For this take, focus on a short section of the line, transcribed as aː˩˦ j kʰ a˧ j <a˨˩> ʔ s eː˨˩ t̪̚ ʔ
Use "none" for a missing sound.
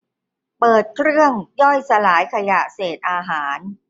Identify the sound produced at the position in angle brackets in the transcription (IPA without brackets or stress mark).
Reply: a˨˩